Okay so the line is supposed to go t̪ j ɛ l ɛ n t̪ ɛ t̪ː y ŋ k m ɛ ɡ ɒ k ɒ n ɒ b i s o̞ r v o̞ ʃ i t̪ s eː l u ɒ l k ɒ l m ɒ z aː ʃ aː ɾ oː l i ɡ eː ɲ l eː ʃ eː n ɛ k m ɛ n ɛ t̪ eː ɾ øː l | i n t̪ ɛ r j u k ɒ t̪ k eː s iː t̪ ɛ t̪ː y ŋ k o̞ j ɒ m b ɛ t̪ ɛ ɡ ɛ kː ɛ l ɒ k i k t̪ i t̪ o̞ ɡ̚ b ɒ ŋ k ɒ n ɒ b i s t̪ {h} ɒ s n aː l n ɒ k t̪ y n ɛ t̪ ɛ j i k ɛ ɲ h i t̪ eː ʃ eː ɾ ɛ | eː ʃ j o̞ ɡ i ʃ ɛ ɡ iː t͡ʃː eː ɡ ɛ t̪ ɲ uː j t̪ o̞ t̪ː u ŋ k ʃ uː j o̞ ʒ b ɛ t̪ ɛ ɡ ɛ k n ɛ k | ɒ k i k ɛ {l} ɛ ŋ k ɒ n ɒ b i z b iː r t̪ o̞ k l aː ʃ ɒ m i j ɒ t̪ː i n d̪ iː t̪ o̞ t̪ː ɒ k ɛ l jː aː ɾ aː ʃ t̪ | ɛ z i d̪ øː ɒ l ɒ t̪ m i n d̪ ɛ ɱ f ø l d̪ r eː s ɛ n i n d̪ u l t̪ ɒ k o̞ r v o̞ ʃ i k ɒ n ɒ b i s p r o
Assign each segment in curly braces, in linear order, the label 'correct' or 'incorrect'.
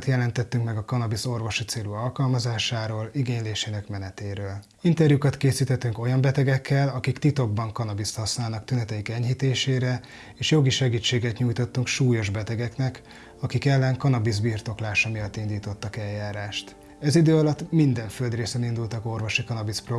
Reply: correct, incorrect: lː

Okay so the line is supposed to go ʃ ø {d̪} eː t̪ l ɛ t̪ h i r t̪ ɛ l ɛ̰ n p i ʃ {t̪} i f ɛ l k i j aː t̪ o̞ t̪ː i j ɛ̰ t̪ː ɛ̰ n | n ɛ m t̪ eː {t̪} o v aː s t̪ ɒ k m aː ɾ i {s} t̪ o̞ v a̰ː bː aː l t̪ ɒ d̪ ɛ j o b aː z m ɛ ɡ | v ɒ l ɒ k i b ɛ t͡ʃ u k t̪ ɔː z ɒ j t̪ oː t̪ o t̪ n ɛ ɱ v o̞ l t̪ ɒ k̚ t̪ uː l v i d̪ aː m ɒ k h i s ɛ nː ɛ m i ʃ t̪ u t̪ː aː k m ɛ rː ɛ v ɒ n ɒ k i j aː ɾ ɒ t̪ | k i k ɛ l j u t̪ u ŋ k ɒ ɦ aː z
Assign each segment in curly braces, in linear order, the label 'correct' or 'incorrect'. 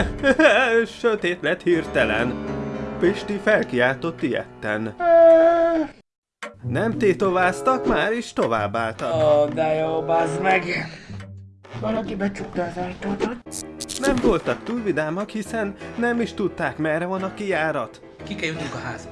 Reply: incorrect: t̪, correct, correct, incorrect: ʃ

